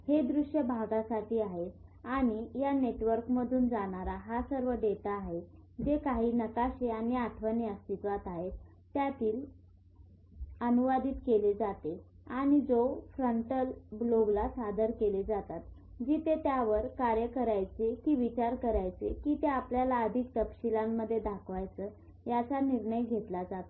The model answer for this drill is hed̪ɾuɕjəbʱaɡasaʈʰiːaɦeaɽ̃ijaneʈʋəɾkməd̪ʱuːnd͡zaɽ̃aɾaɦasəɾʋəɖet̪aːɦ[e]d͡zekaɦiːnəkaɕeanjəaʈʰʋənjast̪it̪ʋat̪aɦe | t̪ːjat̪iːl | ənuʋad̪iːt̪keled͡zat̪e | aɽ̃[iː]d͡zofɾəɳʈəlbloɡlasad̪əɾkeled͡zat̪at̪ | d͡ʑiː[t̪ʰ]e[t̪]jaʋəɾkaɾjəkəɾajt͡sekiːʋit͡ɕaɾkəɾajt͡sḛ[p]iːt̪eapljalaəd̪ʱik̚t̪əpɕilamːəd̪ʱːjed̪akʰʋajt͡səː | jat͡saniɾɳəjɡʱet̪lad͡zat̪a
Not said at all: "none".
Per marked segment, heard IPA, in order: e, i, t̪, t̪, k

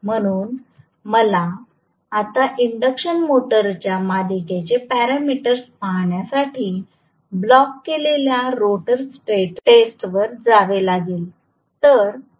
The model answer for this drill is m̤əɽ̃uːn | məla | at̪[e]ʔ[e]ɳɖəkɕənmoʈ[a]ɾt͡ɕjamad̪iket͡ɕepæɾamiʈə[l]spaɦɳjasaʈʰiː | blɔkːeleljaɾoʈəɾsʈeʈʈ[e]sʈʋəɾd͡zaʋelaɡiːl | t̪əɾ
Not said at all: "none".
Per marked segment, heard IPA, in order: a, i, ə, ɾ, e

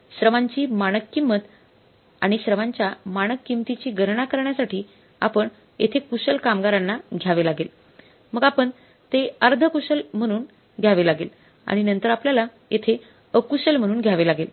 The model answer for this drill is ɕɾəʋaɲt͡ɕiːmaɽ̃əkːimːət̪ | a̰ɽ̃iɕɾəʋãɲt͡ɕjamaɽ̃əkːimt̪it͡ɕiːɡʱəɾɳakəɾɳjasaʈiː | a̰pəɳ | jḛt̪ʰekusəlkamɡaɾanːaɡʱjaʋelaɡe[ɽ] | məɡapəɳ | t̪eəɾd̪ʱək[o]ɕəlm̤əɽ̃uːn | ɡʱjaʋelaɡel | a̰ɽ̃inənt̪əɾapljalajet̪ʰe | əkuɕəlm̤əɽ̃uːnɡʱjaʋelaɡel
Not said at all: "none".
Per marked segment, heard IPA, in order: l, u

